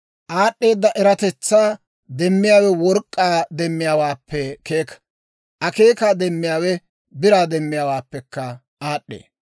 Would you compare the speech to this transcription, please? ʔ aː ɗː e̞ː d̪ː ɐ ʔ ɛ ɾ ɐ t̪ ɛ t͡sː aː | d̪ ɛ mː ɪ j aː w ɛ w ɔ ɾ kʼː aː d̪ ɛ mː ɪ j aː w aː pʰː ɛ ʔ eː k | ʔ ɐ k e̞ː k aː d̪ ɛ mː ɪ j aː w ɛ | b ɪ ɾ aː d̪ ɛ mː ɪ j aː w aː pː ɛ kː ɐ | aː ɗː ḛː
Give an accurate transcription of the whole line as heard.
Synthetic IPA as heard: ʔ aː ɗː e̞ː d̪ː ɐ ʔ ɛ ɾ ɐ t̪ ɛ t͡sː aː | d̪ ɛ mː ɪ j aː w ɛ w ɔ ɾ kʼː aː d̪ ɛ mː ɪ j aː w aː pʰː ɛ k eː k | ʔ ɐ k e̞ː k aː d̪ ɛ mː ɪ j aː w ɛ | b ɪ ɾ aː d̪ ɛ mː ɪ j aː w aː pː ɛ kː ɐ | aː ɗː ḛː